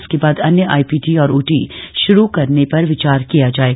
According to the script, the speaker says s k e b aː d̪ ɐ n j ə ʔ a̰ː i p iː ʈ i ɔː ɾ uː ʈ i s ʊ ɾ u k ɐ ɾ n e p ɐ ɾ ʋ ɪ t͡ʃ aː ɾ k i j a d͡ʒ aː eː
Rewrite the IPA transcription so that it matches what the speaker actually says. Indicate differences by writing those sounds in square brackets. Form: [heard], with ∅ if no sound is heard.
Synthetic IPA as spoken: s k e b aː d̪ ɐ n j ə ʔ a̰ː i p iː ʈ i ɔː ɾ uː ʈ i [ʃ] ʊ ɾ u k ɐ ɾ n e p ɐ ɾ ʋ ɪ t͡ʃ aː ɾ k i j a d͡ʒ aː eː